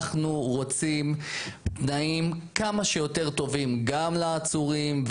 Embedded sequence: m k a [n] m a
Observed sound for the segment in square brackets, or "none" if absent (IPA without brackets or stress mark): none